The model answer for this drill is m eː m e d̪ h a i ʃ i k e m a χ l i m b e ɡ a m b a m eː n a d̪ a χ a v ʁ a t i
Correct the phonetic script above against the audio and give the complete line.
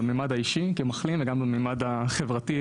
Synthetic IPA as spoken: m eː m a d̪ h a i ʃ i k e m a χ l i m v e ɡ a m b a m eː m a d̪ a χ e v ʁ a t i